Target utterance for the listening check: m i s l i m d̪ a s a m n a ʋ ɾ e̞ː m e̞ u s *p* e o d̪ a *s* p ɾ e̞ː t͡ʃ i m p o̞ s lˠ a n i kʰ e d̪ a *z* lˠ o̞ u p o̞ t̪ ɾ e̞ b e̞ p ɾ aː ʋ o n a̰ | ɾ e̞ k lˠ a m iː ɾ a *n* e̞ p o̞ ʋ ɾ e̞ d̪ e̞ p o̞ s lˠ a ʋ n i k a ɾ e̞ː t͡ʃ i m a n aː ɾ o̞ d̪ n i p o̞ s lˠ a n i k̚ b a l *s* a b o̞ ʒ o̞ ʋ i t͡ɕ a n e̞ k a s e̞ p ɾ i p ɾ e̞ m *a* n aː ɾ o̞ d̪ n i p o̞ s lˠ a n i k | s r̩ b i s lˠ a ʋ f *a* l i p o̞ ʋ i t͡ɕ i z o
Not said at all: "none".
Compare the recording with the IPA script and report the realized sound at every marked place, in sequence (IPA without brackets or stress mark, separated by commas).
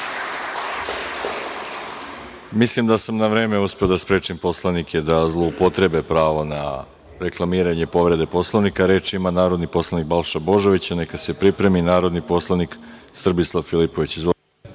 p, s, z, ɲ, ʃ, i, i